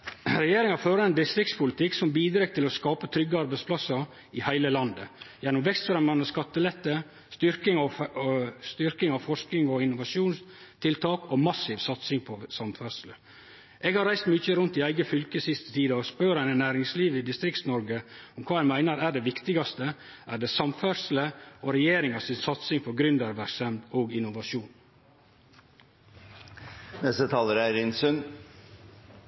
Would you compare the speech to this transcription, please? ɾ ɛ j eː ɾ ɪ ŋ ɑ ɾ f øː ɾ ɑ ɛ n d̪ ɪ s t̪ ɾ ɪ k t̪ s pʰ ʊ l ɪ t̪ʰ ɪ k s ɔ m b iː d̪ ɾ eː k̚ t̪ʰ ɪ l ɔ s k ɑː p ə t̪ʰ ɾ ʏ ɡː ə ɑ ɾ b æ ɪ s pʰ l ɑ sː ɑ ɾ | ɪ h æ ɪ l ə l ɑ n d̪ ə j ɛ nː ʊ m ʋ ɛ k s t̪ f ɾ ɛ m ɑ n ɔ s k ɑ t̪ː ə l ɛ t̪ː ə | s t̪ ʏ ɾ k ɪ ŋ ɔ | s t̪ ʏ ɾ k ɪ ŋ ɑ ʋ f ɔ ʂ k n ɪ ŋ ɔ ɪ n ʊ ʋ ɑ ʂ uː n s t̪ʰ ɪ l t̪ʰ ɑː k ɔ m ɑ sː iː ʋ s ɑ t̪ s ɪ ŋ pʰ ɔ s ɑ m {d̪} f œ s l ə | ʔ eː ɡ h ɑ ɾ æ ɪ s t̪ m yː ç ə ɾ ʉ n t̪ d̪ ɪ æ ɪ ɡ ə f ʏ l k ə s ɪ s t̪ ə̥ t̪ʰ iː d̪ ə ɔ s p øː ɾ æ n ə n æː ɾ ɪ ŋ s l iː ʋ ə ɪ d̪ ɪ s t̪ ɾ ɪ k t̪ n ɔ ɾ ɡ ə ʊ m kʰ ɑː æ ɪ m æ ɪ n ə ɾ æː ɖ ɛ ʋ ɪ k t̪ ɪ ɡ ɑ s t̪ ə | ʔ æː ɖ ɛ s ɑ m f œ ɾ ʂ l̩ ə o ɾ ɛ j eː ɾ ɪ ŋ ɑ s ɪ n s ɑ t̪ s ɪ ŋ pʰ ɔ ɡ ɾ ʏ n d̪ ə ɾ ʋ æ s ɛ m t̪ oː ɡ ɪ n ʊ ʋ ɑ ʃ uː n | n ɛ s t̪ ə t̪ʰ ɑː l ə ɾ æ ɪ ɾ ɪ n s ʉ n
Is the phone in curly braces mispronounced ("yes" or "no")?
yes